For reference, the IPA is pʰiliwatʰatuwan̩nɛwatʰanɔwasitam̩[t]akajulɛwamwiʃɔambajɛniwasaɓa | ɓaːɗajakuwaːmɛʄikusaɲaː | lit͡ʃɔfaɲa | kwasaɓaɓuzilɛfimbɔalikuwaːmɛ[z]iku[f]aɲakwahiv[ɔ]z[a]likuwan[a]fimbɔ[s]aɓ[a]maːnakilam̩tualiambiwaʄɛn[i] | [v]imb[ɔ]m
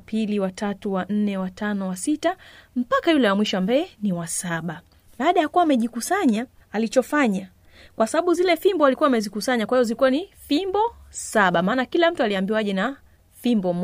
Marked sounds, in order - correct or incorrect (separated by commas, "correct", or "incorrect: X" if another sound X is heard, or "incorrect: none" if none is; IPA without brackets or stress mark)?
incorrect: p, correct, incorrect: s, correct, incorrect: i, incorrect: i, correct, correct, incorrect: a, incorrect: f, correct